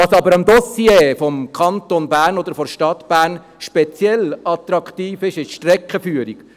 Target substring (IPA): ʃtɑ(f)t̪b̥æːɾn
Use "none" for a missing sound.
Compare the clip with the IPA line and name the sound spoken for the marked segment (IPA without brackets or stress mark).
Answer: none